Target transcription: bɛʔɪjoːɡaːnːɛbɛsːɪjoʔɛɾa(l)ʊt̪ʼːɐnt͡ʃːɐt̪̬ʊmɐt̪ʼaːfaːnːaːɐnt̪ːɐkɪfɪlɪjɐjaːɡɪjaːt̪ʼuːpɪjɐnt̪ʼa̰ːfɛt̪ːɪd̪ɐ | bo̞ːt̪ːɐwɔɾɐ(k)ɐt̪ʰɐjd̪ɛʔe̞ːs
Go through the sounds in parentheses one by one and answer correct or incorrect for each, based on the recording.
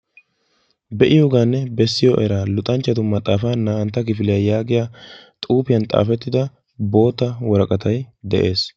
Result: correct, incorrect: kʼ

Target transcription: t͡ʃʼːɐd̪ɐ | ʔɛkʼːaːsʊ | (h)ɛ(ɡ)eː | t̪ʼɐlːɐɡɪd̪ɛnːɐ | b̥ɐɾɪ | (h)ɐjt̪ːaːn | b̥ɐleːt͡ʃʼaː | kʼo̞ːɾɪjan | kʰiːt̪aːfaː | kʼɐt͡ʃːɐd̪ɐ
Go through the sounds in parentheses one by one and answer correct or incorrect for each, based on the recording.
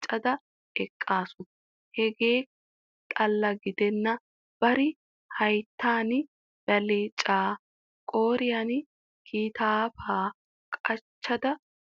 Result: correct, correct, correct

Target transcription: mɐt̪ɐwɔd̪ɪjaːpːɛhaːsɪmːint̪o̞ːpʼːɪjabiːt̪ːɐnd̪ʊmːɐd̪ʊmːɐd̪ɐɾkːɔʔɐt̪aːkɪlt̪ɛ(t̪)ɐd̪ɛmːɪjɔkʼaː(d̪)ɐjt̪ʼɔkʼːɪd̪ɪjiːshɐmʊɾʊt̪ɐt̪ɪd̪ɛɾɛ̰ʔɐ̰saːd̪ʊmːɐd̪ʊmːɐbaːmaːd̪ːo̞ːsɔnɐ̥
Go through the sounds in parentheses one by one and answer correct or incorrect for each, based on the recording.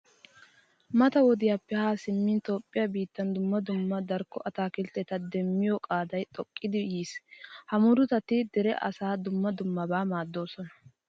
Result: correct, correct

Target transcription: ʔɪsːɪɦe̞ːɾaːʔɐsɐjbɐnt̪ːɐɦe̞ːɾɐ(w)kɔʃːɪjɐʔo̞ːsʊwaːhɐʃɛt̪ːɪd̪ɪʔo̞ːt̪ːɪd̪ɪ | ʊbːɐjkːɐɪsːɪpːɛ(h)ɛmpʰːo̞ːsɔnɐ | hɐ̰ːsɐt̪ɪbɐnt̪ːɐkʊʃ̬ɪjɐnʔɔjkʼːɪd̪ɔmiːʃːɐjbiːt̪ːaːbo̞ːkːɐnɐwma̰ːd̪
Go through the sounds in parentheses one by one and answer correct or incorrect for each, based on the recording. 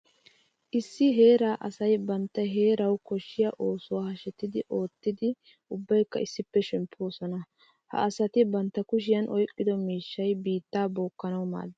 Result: correct, incorrect: ʃ

